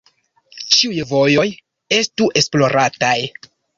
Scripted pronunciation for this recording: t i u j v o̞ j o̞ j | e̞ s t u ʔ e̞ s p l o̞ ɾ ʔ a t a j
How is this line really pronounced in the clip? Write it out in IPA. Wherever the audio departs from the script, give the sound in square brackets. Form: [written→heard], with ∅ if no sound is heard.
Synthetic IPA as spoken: [t→t͡ʃ] i u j v o̞ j o̞ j | e̞ s t u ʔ e̞ s p l o̞ ɾ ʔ a t a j